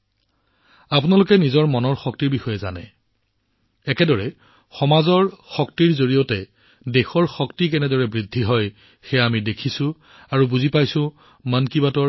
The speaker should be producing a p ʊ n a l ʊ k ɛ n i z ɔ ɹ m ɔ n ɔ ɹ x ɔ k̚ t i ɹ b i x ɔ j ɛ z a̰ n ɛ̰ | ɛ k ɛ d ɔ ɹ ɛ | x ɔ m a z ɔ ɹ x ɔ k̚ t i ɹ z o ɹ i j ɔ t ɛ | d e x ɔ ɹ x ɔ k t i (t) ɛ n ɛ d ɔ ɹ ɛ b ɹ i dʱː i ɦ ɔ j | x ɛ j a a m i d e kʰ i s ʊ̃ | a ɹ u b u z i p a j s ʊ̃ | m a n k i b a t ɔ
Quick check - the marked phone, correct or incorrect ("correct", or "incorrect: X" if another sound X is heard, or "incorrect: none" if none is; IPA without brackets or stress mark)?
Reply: incorrect: k